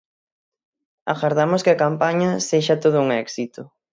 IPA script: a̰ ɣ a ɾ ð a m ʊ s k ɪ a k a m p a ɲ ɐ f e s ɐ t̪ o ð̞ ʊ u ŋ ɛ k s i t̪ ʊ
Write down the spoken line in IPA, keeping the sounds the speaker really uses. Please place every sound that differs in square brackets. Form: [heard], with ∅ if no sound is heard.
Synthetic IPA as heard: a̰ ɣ a ɾ ð a m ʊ s k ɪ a k a m p a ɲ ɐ [s] e [ʃ] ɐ t̪ o ð̞ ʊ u ŋ ɛ k s i t̪ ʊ